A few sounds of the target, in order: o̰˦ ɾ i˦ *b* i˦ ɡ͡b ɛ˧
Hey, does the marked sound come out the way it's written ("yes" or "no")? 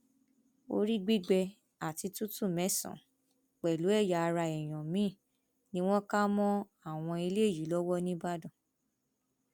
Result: no